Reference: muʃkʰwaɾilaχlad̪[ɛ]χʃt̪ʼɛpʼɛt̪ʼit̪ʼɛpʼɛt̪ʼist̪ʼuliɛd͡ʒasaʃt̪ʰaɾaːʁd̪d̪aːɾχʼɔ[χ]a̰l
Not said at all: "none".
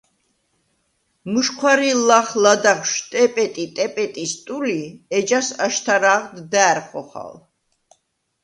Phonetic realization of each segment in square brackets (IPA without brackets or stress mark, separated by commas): a, χ